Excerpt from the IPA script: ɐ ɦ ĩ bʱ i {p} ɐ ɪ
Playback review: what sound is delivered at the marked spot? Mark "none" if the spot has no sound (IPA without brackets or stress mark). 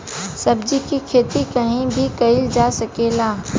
k